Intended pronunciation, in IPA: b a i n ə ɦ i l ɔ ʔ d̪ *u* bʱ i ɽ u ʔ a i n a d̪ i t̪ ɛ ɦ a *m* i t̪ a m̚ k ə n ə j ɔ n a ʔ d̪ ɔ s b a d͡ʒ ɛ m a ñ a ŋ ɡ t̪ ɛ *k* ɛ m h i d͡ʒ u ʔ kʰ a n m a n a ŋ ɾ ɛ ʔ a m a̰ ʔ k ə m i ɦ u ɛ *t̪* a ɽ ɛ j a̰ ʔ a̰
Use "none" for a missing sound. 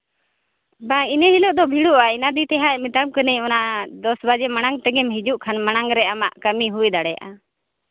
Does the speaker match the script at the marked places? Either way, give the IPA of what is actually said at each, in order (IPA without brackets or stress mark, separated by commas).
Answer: ɔ, m, ɡ, d̪